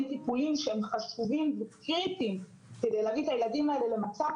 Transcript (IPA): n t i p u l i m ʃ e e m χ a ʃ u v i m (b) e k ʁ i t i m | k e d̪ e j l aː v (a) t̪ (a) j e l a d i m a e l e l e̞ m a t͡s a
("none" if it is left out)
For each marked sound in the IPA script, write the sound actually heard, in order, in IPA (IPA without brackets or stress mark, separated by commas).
v, i, a